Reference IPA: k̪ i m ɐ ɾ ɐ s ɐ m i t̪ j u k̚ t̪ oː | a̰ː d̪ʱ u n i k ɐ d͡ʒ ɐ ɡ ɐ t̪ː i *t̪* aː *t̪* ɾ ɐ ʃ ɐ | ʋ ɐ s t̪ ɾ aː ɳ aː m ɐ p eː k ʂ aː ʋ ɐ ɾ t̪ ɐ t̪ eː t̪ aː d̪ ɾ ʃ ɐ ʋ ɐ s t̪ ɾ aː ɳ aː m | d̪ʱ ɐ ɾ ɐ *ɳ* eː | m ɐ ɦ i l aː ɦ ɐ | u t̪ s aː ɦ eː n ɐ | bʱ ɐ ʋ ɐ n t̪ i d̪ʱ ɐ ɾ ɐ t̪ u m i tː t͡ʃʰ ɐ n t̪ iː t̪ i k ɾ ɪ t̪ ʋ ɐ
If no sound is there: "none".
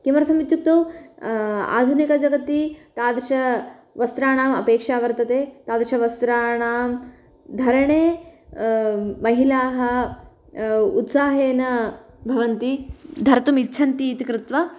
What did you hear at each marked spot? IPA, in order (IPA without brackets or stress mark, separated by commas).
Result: t̪, d̪, ɳ